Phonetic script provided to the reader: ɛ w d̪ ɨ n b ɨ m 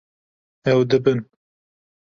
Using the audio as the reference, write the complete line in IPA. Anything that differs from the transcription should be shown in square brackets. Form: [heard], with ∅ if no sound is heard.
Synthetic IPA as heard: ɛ w d̪ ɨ [∅] b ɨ [n]